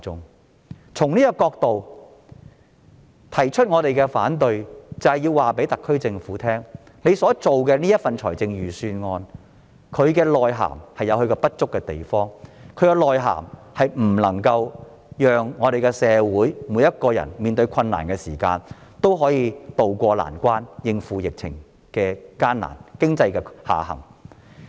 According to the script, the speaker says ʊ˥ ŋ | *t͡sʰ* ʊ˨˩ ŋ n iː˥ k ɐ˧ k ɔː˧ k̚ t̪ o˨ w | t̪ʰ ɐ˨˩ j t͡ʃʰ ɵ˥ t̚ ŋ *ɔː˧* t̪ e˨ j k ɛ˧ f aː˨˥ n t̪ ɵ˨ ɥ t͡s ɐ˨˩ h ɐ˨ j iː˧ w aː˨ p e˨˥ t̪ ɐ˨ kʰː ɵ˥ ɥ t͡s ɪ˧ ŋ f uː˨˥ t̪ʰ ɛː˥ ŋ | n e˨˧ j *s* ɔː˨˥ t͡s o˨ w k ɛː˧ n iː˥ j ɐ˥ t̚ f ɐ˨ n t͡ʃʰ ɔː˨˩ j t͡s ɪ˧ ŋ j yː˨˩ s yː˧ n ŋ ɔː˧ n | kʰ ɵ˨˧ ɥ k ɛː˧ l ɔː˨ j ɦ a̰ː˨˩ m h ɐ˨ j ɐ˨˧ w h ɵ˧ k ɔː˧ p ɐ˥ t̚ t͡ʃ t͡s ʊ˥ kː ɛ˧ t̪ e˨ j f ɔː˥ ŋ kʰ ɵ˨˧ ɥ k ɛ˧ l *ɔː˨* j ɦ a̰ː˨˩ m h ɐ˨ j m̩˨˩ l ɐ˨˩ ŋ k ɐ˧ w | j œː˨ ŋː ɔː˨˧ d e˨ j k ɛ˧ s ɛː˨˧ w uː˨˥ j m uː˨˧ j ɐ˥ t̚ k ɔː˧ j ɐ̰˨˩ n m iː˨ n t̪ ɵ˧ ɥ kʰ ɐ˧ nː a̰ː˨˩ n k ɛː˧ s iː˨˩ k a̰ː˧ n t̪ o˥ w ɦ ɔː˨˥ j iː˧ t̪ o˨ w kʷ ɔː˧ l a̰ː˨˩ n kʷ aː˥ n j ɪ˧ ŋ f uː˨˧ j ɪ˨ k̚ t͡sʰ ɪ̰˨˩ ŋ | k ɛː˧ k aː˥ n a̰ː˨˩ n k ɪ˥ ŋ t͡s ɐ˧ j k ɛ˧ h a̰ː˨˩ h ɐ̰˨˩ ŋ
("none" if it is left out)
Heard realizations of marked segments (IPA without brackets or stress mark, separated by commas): t͡sʰ, ɔː˧, s, ɔː˨